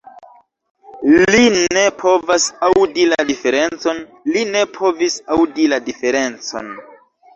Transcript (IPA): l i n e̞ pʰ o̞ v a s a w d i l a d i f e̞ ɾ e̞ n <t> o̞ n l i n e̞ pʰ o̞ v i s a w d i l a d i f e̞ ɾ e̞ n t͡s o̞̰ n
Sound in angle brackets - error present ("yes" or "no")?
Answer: yes